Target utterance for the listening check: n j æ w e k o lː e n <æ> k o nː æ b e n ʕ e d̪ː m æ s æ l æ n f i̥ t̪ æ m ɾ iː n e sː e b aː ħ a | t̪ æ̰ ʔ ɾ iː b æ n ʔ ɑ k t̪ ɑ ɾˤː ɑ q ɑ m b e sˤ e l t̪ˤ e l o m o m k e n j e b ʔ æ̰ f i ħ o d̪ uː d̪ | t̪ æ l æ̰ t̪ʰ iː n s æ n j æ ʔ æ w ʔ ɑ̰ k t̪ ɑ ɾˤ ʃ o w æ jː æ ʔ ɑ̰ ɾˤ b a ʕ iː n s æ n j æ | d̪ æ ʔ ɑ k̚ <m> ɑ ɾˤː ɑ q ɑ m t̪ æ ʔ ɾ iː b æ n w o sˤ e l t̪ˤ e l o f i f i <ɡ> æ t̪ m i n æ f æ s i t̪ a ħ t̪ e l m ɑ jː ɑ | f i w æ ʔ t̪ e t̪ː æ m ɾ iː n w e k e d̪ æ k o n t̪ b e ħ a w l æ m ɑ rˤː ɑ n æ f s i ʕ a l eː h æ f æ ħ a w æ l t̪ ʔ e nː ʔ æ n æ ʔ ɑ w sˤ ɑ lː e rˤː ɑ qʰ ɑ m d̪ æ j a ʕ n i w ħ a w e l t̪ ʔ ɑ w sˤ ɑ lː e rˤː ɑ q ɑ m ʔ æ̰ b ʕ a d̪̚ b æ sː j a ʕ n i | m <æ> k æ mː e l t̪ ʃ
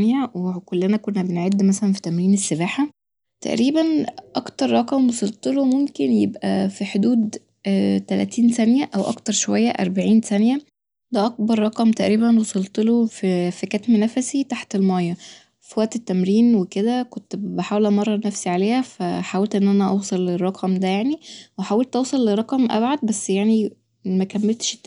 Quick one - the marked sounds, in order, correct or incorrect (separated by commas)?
correct, incorrect, incorrect, correct